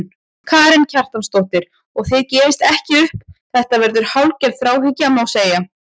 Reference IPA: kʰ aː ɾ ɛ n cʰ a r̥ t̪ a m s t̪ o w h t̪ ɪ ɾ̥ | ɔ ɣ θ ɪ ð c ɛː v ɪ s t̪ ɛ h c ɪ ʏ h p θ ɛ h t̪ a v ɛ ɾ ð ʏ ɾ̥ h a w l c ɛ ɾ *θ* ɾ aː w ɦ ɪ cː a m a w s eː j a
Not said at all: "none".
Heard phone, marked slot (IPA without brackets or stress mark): θ